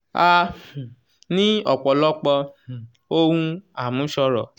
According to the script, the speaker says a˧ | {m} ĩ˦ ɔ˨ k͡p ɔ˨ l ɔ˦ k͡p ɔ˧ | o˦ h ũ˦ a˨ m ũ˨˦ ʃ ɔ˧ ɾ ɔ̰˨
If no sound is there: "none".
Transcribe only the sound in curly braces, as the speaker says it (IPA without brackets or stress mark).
n